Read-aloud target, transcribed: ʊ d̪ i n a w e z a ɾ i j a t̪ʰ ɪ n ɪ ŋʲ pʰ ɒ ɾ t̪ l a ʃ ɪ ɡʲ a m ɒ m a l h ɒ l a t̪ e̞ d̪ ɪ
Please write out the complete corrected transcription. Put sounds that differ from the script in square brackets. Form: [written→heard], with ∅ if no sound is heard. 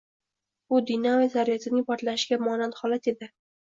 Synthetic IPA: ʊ d̪ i n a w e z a ɾ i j a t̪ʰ ɪ n ɪ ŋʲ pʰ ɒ ɾ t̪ l a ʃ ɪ ɡʲ a m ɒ [m→n] a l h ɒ l a t̪ e̞ d̪ ɪ